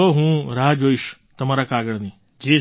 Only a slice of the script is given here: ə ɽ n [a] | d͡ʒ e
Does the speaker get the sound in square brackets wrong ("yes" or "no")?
yes